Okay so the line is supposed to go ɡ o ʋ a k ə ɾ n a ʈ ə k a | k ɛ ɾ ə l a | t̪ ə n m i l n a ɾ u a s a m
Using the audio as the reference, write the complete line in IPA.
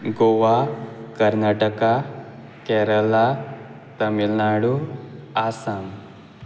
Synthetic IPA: ɡ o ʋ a k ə ɾ n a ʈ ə k a | k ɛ ɾ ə l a | t̪ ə m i l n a ɽ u a s a m